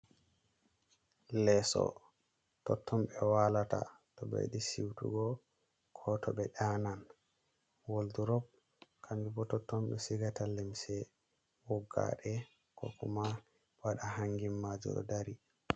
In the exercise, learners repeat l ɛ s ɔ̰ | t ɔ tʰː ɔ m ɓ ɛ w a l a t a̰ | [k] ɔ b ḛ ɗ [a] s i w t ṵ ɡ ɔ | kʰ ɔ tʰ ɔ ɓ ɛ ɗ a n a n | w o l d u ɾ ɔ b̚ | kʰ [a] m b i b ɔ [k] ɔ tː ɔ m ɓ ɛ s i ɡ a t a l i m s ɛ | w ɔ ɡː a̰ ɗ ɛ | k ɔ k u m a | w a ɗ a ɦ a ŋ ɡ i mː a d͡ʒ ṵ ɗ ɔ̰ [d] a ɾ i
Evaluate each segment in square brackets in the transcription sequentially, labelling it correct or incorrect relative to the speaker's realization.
incorrect, incorrect, correct, incorrect, correct

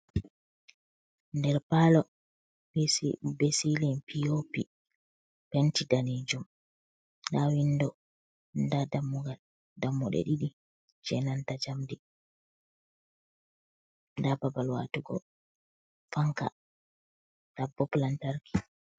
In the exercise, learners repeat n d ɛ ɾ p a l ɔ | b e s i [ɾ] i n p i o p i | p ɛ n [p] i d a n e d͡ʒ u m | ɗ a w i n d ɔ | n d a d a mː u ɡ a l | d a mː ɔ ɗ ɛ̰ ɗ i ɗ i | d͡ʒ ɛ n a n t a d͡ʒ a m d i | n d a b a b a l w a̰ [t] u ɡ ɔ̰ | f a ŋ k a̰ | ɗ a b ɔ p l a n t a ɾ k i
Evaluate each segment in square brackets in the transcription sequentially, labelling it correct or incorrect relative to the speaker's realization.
incorrect, incorrect, correct

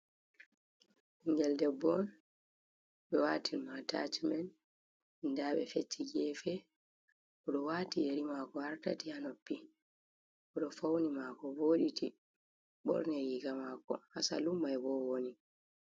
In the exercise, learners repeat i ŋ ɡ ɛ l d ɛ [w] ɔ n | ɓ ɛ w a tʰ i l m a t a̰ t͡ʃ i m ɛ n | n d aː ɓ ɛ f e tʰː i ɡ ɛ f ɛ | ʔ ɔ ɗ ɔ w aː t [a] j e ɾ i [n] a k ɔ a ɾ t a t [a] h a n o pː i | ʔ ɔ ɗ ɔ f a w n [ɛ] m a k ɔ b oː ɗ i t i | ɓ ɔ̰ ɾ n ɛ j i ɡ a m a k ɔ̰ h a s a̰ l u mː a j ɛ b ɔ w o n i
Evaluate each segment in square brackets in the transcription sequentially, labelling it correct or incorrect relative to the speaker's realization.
incorrect, incorrect, incorrect, incorrect, incorrect

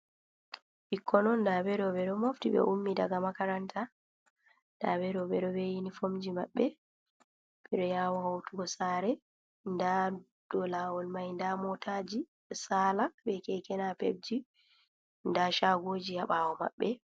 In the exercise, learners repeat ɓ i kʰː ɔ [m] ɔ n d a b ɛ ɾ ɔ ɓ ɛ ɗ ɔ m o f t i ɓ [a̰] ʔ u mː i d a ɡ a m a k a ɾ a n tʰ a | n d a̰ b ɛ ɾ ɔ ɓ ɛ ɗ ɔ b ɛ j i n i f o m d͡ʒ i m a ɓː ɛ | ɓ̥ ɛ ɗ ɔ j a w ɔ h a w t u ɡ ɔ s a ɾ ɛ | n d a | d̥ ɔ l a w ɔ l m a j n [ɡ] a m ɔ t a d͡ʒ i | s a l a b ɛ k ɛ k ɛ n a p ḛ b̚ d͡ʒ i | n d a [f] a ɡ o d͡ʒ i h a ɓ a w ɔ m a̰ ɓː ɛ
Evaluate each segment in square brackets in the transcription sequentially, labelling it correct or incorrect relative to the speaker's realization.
incorrect, incorrect, incorrect, incorrect

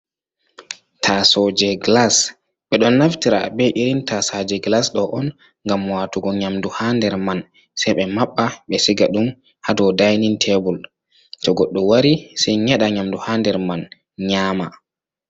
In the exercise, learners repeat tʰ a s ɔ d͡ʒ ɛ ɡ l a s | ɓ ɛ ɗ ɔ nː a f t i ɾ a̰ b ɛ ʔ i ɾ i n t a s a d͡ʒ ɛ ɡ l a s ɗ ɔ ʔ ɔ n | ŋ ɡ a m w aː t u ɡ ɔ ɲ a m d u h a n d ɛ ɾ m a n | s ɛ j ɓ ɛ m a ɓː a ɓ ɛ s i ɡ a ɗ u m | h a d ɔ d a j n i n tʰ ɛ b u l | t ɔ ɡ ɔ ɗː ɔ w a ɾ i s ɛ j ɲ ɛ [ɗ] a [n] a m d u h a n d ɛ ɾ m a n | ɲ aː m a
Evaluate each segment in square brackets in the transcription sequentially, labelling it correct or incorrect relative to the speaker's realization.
correct, incorrect

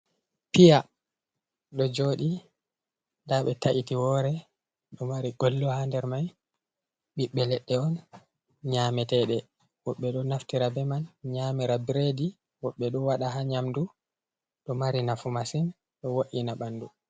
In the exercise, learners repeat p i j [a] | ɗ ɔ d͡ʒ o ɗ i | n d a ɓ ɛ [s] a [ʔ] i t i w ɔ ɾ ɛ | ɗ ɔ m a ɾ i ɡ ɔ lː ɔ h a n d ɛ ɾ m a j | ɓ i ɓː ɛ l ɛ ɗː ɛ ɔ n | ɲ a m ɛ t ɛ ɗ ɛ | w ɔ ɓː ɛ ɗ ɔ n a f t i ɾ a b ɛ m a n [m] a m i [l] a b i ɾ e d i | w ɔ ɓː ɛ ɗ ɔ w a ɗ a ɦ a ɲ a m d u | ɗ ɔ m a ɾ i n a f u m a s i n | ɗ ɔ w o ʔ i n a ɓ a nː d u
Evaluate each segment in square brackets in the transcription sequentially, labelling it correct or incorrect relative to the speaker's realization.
correct, incorrect, correct, incorrect, incorrect

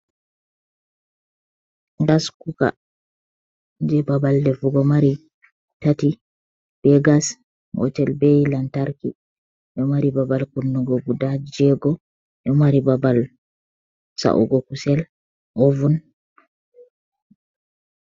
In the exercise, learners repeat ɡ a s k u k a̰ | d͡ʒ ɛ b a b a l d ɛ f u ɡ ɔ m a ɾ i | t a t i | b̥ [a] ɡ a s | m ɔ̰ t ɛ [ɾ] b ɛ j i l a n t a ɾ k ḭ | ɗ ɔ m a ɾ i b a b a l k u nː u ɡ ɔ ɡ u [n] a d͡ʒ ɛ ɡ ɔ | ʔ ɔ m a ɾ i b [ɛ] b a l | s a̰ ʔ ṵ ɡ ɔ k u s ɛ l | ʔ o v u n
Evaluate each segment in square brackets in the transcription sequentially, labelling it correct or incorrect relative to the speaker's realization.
incorrect, incorrect, incorrect, incorrect

